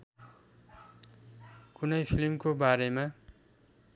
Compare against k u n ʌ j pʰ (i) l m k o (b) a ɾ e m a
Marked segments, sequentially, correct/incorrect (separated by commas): correct, correct